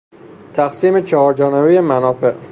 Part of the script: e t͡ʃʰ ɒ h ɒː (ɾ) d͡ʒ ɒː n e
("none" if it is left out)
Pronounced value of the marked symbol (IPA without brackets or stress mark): ɾ